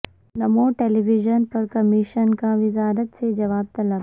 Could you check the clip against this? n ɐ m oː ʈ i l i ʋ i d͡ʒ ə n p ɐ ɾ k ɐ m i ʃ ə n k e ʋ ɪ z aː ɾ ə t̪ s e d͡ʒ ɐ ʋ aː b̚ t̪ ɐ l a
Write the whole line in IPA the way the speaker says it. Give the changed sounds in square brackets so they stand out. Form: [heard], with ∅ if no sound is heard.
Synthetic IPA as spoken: n ɐ m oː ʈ [e] l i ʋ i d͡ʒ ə n p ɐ ɾ k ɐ m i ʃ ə n k [a] ʋ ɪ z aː ɾ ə t̪ s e d͡ʒ ɐ ʋ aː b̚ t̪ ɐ l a

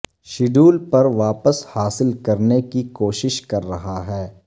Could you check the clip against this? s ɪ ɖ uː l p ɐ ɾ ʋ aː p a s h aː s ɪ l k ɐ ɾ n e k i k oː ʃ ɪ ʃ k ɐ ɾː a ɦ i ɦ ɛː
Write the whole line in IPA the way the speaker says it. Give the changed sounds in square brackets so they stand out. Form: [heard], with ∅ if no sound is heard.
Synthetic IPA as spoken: [ʃ] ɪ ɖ uː l p ɐ ɾ ʋ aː p [ə] s h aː s ɪ l k ɐ ɾ n e k i k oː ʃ ɪ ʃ k ɐ ɾː [ɐ] ɦ [a] ɦ ɛː

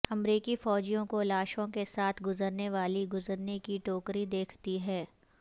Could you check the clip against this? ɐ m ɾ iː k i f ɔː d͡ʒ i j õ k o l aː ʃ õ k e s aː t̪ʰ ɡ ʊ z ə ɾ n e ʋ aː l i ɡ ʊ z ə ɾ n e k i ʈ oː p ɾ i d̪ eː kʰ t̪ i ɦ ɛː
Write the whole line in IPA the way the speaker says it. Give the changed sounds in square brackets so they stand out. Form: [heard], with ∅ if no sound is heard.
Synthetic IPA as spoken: ɐ m ɾ iː k i f ɔː d͡ʒ i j õ k o l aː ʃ õ k e s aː t̪ʰ ɡ ʊ z ə ɾ n e ʋ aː l i ɡ ʊ z ə ɾ n e k i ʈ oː [k] ɾ i d̪ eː kʰ t̪ i ɦ ɛː

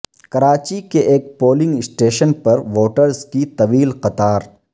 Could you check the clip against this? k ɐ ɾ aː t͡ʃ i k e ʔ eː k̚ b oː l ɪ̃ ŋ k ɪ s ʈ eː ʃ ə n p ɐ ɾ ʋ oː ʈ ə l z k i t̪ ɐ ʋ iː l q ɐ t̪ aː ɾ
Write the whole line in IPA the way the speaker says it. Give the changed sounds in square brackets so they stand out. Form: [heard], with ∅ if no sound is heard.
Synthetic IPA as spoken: k ɐ ɾ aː t͡ʃ i k e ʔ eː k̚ [p] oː l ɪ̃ ŋ [ɡ] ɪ s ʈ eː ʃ ə n p ɐ ɾ ʋ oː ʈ ə [ɾ] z k i t̪ ɐ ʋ iː l q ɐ t̪ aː ɾ

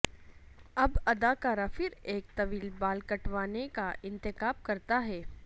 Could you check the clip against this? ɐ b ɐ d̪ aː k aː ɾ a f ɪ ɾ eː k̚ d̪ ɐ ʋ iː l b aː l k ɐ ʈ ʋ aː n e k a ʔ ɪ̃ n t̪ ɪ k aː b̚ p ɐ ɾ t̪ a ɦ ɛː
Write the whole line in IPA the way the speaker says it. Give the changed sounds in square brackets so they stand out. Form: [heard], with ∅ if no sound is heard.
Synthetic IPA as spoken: ɐ b ɐ d̪ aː k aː ɾ a f ɪ ɾ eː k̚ [t̪] ɐ ʋ iː l b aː l k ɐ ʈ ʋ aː n e k a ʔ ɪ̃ n t̪ ɪ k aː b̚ [k] ɐ ɾ t̪ a ɦ ɛː

